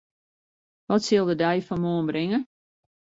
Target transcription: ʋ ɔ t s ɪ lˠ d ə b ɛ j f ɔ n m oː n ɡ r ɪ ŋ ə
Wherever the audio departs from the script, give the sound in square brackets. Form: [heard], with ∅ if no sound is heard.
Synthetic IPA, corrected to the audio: ʋ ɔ t s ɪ lˠ d ə [d] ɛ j f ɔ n m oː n [b] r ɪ ŋ ə